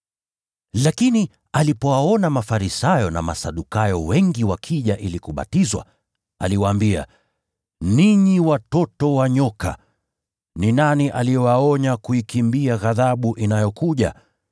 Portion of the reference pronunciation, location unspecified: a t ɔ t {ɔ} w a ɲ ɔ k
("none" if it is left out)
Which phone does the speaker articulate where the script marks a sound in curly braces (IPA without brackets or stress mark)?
ɔ